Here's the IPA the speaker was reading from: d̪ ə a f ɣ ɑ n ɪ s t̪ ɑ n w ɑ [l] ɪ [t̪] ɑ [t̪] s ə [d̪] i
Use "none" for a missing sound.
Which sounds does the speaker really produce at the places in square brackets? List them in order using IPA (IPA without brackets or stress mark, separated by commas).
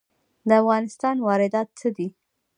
ɾ, d̪, t̪, d̪